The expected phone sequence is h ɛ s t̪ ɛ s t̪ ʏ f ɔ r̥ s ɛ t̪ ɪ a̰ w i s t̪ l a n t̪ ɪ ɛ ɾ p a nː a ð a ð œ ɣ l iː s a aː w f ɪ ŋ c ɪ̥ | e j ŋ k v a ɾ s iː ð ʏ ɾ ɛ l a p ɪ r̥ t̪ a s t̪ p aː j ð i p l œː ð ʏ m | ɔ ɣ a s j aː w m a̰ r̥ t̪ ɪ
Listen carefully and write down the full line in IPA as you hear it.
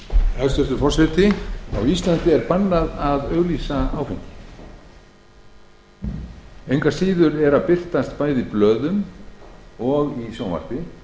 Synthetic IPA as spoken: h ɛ s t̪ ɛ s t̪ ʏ f ɔ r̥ s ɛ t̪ ɪ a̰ w i s t̪ l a n t̪ ɪ ɛ ɾ p a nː a ð a ð œ ɣ l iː s a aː w f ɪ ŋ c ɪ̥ | e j ŋ k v a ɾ s iː ð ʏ ɾ ɛ ɾ a p ɪ r̥ t̪ a s t̪ p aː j ð i p l œː ð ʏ m | ɔ ɣ i s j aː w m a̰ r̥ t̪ ɪ

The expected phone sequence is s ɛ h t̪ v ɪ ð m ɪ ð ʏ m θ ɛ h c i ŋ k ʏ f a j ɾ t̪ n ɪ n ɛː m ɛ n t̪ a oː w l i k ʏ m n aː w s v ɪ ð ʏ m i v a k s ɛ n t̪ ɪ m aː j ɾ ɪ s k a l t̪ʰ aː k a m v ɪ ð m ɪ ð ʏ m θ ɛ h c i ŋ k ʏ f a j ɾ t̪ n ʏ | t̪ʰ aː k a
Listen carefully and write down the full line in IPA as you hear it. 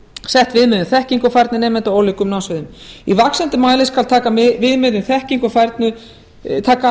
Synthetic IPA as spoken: s ɛ h t̪ v ɪ ð m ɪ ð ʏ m θ ɛ h c i ŋ k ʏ f a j ɾ t̪ n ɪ n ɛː m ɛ n t̪ a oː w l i k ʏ m n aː w s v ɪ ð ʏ m i v a k s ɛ n t̪ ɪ m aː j l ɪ s k a l t̪ʰ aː k a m v ɪ ð m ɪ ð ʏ m θ ɛ h c i ŋ k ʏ f a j ɾ t̪ n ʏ | t̪ʰ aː k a

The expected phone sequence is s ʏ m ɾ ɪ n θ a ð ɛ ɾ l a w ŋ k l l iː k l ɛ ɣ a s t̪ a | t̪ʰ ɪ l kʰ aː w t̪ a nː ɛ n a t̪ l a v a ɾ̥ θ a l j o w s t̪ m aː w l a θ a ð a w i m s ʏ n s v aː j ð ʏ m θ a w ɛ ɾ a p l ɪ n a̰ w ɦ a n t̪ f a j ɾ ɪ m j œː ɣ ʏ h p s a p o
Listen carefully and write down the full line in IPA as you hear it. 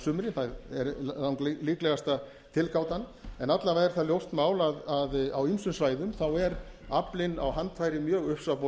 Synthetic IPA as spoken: s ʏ m ɾ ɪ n θ a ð ɛ ɾ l a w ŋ k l l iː k l ɛ ɣ a s t̪ a | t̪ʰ ɪ l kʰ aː w t̪ a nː ɛ n a t̪ l a v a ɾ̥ θ a l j o w s t̪ m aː w l a ð a ð a w i m s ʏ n s v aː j ð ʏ m θ a w ɛ ɾ a p l ɪ n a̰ w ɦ a n t̪ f a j ɾ ɪ m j œː ɣ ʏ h p s a p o

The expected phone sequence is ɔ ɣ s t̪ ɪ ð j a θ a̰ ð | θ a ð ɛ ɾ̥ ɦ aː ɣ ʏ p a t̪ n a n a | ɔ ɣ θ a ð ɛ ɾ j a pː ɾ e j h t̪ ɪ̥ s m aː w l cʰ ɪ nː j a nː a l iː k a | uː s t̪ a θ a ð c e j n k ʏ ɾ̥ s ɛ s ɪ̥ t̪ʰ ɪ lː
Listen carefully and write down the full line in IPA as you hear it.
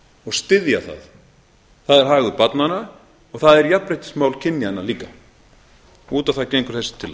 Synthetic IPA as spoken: ɔ ɣ s t̪ ɪ ð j a θ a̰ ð | θ a ð ɛ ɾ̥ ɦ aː ɣ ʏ p a t̪ n a n a | ɔ ɣ θ a ð ɛ ɾ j a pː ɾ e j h t̪ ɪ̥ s m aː w l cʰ ɪ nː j a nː a l iː k a | uː t̪ a θ a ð c e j ŋ k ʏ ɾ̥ θ ɛ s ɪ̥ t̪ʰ ɪ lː

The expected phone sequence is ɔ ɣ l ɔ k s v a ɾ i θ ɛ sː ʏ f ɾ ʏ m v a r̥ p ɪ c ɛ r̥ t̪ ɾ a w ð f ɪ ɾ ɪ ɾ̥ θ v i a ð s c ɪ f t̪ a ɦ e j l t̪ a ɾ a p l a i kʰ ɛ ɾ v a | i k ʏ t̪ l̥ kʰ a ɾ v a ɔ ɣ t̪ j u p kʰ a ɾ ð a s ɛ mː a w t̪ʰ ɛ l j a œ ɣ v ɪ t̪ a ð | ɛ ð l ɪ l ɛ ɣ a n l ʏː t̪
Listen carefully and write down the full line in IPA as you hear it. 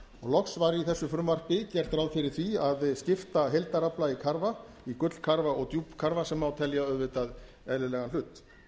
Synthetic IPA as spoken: ɔ ɣ l ɔ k s v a ɾ i θ ɛ sː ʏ f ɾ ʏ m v a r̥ p ɪ c ɛ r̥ t̪ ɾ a w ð f ɪ ɾ ɪ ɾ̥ θ v i a ð s c ɪ f t̪ a ɦ e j l t̪ a ɾ a p l a i kʰ a ɾ v a | i k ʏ t̪ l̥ kʰ a ɾ v a ɔ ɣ t̪ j u p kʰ a ɾ v a s ɛ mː a w t̪ʰ ɛ l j a œ ð v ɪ t̪ a ð | ɛ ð l ɪ l ɛ ɣ a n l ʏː t̪

